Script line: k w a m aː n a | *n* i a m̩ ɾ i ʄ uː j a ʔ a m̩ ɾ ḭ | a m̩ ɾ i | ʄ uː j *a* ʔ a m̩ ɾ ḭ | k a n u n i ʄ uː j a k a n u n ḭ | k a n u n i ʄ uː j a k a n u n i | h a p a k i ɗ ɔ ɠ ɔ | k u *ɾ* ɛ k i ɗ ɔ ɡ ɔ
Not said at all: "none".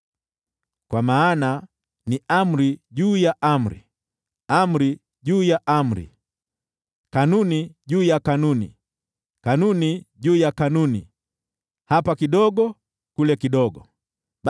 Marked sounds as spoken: n, a, l

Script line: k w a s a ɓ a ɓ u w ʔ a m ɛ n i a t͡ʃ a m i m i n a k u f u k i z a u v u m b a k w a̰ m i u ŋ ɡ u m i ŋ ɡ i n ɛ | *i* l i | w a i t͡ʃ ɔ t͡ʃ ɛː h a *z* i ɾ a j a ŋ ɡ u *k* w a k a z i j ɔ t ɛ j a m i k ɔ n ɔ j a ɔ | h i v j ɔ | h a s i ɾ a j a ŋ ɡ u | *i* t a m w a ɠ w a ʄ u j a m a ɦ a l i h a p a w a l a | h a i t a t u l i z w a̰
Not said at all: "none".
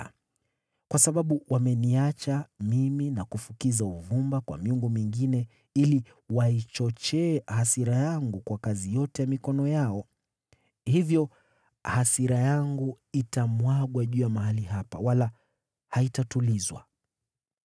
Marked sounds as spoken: i, s, k, i

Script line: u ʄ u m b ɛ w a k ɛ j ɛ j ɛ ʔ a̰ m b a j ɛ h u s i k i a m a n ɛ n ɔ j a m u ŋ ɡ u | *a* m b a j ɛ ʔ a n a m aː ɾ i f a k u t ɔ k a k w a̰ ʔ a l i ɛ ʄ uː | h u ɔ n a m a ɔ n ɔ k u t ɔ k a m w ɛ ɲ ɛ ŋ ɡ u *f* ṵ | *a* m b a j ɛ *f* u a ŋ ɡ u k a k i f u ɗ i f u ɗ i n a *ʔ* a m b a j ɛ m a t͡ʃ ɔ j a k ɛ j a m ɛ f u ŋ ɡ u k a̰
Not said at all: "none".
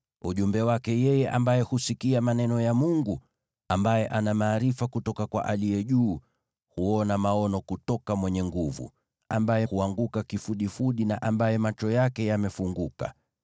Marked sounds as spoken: a, v, a, h, ʔ

